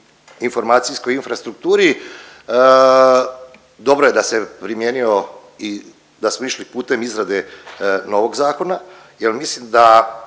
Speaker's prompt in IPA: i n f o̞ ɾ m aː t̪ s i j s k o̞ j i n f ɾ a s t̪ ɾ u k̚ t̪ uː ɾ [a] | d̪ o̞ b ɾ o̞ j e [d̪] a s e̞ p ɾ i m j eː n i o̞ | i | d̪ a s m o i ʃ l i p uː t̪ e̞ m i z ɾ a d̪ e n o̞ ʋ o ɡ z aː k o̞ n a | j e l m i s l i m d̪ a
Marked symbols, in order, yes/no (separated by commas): no, yes